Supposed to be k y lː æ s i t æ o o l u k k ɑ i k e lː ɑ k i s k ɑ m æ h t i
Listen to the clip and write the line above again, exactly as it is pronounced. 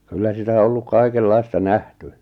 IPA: k y lː æ s i t æ o o lː u k k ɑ i k e lː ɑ i s t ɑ n æ h t y